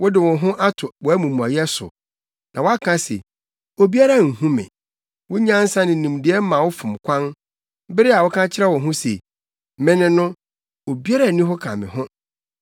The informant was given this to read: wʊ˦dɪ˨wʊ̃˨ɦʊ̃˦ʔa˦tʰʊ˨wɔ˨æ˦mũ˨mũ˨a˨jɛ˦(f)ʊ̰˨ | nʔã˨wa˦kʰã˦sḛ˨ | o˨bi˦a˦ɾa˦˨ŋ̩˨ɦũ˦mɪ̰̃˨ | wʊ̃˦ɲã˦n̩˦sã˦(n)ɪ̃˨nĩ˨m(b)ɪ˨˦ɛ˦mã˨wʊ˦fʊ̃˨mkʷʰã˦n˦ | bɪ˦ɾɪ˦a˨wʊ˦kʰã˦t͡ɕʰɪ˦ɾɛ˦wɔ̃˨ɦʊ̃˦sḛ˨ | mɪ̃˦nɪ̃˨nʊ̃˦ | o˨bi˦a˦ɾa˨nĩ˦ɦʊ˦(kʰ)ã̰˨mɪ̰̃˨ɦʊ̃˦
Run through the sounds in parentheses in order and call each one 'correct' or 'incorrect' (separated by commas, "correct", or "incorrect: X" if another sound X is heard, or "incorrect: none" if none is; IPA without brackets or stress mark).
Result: incorrect: s, correct, incorrect: d, correct